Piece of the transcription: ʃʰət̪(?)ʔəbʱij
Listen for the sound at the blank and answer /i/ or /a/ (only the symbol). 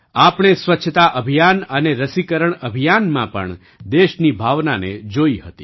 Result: a